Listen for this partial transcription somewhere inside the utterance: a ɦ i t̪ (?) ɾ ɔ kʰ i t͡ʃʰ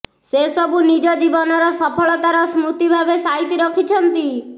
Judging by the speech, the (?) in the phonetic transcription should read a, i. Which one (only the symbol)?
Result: i